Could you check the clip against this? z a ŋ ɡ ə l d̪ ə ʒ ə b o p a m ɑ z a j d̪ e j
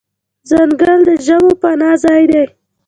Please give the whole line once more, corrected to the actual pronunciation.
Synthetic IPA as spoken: z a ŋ ɡ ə l d̪ ə ʒ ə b o p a n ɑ z ɑ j d̪ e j